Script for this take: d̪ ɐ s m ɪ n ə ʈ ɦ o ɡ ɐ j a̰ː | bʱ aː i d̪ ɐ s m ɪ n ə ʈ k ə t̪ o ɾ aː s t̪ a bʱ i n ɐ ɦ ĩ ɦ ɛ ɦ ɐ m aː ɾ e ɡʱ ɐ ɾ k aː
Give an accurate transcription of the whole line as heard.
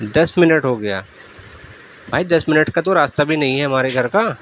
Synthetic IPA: d̪ ɐ s m ɪ n ə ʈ ɦ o ɡ ɐ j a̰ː | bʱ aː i d̪ ɐ s m ɪ n ə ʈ k a t̪ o ɾ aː s t̪ a bʱ i n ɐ ɦ ĩ ɦ ɛ ɦ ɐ m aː ɾ e ɡʱ ɐ ɾ k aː